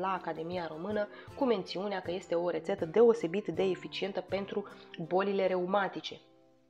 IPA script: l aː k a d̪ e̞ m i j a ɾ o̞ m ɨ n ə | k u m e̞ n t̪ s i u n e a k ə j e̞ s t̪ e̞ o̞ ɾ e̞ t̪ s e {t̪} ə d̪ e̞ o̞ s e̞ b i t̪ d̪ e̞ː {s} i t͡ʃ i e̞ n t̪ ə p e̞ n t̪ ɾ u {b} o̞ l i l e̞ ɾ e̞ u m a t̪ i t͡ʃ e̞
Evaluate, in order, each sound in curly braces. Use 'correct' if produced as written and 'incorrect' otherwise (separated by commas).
correct, incorrect, correct